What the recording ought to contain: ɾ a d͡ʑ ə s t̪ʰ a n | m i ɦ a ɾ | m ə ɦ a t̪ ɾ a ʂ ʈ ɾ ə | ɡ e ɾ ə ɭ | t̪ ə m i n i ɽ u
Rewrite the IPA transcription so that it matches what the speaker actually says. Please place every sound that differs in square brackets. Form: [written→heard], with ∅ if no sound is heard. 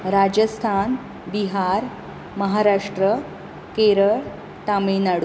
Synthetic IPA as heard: ɾ a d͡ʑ ə s t̪ʰ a n | [m→b] i ɦ a ɾ | m ə ɦ a [t̪→∅] ɾ a ʂ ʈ ɾ ə | [ɡ→k] e ɾ ə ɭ | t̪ [ə→a] m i n [i→a] ɽ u

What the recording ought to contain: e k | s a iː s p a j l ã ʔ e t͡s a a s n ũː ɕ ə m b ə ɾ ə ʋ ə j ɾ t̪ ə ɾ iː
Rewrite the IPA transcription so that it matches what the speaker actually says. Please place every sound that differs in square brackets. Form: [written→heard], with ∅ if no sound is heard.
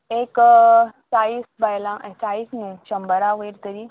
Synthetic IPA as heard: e k | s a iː s [p→b] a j l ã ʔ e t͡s a [a→i] s n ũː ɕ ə m b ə ɾ [ə→a] ʋ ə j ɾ t̪ ə ɾ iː

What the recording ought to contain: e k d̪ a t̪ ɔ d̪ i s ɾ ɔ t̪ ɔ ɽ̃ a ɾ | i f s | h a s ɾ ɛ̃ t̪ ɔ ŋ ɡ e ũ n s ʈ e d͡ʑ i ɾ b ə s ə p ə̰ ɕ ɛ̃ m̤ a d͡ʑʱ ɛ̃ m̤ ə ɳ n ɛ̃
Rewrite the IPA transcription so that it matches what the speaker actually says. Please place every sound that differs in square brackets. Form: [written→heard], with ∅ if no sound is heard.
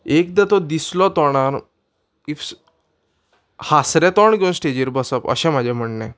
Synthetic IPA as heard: e k d̪ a t̪ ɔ d̪ i s [ɾ→l] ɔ t̪ ɔ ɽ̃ a ɾ | i f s | h a s ɾ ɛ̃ t̪ ɔ [ŋ→ɳ] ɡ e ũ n s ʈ e d͡ʑ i ɾ b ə s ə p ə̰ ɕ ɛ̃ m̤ a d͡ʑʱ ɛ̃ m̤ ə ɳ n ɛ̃

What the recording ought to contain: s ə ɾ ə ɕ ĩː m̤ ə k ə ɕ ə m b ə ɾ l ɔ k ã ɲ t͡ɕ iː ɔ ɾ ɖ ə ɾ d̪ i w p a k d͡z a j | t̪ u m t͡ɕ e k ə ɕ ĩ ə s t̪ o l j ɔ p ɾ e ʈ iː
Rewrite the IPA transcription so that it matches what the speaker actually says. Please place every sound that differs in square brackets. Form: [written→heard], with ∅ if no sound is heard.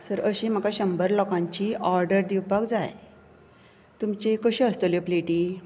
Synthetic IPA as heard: s ə ɾ ə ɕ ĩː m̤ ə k [ə→a] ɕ ə m b ə ɾ l ɔ k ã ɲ t͡ɕ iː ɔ ɾ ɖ ə ɾ d̪ i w p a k d͡z a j | t̪ u m t͡ɕ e k ə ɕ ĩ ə s t̪ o l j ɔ p [ɾ→l] e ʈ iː

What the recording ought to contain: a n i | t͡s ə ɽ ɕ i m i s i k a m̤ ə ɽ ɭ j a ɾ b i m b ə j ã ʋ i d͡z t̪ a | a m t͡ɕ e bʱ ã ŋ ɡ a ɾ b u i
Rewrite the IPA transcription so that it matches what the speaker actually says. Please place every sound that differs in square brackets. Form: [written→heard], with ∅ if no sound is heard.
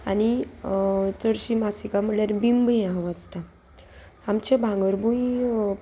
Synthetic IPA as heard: a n i | t͡s ə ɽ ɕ i m [i→a] s i k a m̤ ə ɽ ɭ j a ɾ b i m b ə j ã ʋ [i→a] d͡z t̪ a | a m t͡ɕ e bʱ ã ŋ ɡ [a→ə] ɾ b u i

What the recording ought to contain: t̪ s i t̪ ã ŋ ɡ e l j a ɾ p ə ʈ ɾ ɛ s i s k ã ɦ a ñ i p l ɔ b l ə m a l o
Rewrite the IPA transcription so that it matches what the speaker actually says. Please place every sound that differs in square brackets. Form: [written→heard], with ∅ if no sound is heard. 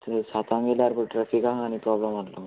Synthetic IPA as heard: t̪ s [i→a] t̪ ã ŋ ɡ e l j a ɾ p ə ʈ ɾ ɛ [s→f] i [s→∅] k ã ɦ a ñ i p [l→ɾ] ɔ b l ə m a l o

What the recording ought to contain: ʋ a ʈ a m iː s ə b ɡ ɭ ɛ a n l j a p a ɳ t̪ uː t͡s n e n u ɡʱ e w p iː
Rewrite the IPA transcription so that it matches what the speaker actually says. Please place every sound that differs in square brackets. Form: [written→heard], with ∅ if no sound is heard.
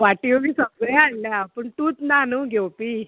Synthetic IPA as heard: ʋ a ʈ [a→i] m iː s ə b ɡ ɭ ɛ a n l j a p [a→ə] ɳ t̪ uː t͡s n [e→a] n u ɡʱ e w p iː

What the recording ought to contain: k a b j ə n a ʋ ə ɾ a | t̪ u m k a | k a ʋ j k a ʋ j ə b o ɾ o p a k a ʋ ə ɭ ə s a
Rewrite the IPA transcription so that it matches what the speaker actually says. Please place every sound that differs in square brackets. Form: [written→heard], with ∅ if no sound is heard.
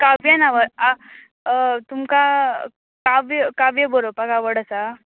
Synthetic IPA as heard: k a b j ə n a ʋ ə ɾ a | t̪ u m k a | k a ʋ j k a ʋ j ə b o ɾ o p a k a ʋ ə [ɭ→ɽ] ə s a

